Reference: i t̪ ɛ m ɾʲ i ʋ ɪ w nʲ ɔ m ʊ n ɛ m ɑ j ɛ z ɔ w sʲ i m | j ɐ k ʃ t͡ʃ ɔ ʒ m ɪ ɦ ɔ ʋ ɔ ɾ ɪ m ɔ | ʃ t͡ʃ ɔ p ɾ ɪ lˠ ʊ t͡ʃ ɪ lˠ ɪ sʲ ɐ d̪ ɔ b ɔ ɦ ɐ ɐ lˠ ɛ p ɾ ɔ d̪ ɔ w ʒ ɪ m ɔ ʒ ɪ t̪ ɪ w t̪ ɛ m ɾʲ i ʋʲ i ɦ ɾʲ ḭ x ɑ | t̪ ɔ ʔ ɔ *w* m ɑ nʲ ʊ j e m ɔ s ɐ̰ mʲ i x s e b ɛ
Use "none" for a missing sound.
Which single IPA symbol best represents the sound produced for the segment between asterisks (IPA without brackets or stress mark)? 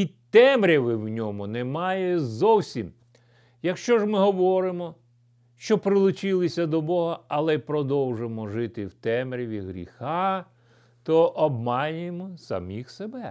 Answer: b